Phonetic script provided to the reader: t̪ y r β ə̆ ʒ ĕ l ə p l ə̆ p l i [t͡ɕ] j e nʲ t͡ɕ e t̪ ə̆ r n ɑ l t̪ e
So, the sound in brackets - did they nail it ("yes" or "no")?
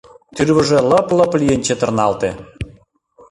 no